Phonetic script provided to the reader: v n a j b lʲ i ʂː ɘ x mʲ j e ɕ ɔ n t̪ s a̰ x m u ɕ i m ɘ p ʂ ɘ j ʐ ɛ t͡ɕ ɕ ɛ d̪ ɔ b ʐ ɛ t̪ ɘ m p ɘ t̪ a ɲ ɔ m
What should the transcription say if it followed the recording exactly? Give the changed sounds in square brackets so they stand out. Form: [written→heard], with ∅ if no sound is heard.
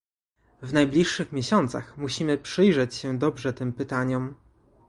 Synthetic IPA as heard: v n a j b lʲ i ʂː ɘ x mʲ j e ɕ ɔ n t̪ s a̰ x m u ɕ i m ɘ p ʂ ɘ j ʐ ɛ t͡ɕ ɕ ɛ d̪ ɔ b ʐ ɛ t̪ ɘ m p ɘ t̪ a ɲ ɔ m